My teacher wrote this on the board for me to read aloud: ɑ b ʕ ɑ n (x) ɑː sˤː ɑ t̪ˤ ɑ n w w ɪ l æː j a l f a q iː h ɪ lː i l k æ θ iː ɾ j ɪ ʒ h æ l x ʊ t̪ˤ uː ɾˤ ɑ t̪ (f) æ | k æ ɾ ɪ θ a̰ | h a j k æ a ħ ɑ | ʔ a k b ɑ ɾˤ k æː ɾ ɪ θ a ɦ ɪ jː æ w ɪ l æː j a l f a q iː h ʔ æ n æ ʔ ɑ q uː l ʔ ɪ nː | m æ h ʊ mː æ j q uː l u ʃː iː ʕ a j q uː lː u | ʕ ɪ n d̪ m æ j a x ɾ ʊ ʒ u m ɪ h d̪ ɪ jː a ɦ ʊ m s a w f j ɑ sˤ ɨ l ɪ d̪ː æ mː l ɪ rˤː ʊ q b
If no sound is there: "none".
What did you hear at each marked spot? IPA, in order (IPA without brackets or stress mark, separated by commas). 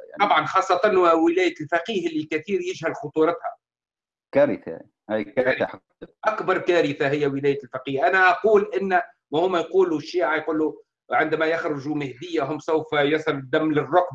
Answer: x, h